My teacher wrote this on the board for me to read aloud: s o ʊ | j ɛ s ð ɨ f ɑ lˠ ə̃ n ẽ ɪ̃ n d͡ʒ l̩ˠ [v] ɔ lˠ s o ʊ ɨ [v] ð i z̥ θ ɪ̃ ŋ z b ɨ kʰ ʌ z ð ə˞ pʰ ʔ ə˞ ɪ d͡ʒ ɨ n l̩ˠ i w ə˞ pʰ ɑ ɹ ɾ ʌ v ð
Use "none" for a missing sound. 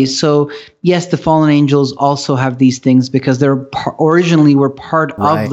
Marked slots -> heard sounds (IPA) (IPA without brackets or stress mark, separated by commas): z, v